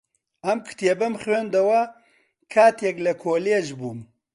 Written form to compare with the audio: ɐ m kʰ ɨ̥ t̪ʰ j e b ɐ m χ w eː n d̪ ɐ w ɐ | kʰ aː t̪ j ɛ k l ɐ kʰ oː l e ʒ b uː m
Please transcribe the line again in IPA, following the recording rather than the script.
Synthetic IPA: ɐ m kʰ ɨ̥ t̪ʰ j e b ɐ m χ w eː n d̪ ɐ w ɐ | kʰ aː t̪ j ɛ k l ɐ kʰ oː l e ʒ b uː m